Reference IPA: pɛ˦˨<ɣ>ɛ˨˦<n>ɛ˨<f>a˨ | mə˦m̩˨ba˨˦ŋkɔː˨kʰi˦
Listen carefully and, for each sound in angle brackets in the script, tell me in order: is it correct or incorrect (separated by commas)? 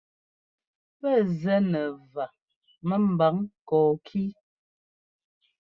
incorrect, correct, incorrect